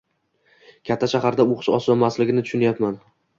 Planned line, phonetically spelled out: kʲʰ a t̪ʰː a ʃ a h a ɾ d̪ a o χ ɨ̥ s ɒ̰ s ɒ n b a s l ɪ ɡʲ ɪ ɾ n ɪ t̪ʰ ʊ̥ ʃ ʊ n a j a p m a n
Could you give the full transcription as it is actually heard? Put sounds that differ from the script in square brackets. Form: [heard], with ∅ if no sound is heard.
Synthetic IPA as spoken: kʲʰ a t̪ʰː a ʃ a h a ɾ d̪ a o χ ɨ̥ [ʃ] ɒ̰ s ɒ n [m] a s l ɪ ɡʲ ɪ [∅] n ɪ t̪ʰ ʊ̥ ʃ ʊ n a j a p m a n